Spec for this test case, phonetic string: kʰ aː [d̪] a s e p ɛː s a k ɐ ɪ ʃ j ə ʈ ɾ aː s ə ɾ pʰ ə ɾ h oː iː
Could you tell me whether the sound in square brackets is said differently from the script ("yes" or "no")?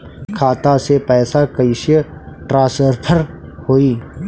yes